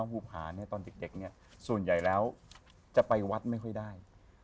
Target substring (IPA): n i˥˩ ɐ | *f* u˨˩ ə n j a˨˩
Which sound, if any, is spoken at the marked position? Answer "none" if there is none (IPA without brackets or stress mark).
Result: s